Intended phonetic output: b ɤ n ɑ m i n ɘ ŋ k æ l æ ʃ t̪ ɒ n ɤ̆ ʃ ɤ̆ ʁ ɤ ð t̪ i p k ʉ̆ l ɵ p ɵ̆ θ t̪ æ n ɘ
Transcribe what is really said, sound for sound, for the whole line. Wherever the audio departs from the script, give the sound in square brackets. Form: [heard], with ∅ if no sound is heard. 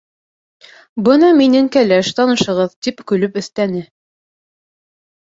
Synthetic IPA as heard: b ɤ n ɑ m i n ɘ ŋ k æ l æ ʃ t̪ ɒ n ɤ̆ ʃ ɤ̆ ʁ ɤ ð t̪ i p k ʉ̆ l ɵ p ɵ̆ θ t̪ æ n ɘ